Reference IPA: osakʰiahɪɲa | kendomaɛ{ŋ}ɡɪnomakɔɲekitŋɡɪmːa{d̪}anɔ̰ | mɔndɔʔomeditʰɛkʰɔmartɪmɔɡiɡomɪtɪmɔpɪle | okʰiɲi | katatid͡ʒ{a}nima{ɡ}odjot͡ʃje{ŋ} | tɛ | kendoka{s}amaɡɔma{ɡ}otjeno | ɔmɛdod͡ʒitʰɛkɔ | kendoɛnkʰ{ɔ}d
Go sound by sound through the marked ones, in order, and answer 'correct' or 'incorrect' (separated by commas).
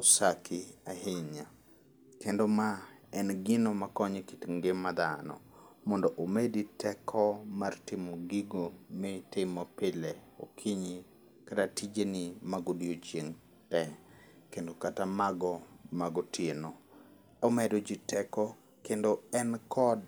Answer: incorrect, correct, incorrect, correct, correct, incorrect, correct, correct